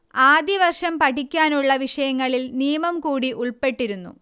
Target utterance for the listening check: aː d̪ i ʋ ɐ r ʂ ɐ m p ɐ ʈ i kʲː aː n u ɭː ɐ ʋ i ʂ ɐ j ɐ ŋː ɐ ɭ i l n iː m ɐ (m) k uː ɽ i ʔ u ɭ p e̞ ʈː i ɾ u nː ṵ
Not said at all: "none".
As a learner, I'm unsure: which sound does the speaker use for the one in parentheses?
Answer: m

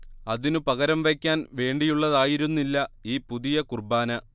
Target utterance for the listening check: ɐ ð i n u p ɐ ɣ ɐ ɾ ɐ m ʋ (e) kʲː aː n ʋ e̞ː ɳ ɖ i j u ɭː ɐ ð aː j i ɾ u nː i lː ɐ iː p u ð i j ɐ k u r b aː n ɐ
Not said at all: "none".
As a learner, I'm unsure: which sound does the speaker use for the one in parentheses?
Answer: e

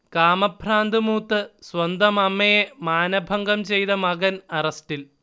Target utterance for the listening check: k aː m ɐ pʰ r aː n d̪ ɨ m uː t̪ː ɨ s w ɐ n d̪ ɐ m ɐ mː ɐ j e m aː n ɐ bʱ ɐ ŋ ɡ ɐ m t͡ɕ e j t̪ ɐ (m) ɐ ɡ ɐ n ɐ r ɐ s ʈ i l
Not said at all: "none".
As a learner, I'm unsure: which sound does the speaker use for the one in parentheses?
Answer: m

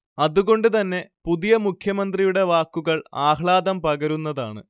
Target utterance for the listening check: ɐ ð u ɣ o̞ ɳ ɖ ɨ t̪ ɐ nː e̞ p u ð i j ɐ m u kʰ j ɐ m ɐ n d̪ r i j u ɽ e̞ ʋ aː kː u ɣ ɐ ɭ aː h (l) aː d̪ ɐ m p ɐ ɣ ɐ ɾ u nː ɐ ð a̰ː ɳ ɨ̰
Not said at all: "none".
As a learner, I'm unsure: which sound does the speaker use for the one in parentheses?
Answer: ɭ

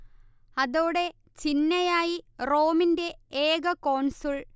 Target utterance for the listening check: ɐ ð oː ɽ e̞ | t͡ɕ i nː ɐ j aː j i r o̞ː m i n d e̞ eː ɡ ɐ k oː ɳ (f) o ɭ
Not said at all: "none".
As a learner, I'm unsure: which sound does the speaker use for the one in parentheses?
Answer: s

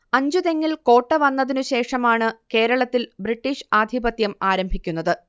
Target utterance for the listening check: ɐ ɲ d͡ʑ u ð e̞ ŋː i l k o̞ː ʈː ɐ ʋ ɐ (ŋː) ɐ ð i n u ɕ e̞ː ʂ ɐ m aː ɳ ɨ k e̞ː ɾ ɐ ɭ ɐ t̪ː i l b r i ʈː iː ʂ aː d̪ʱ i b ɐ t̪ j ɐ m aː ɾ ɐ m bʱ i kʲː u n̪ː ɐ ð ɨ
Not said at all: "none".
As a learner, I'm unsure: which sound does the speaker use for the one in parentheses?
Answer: nː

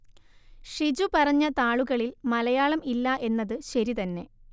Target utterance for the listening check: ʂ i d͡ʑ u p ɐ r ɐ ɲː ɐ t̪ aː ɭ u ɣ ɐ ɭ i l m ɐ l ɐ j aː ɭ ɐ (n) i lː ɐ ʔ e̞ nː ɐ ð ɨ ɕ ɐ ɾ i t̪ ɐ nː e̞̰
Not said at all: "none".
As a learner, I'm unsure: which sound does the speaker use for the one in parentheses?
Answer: m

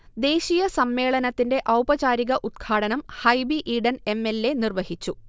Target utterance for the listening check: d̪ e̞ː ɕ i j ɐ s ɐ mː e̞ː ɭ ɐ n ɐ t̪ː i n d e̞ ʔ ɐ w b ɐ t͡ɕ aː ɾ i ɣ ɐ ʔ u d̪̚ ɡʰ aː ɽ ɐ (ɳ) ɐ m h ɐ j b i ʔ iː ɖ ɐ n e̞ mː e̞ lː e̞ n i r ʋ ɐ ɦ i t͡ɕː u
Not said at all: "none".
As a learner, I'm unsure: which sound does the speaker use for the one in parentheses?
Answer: n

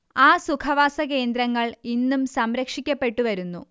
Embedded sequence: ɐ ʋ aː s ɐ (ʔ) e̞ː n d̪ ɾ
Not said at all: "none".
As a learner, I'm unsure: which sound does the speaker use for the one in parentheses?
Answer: k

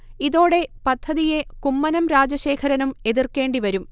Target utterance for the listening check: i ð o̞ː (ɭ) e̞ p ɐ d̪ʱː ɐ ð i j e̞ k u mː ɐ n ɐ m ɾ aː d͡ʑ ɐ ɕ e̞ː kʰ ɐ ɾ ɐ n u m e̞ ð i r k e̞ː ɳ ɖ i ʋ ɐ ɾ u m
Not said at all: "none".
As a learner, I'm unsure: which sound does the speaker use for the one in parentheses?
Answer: ɽ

